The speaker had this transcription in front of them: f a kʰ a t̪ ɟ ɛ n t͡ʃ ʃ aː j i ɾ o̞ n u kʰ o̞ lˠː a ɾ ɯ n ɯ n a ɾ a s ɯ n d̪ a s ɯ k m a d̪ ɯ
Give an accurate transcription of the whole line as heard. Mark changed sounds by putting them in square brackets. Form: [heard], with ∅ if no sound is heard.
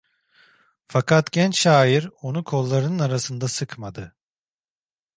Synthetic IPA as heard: f a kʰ a t̪ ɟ ɛ n t͡ʃ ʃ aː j i ɾ o̞ n u kʰ o̞ lˠː a ɾ ɯ n ɯ n a ɾ a s ɯ n d̪ a s ɯ k m a d̪ ɯ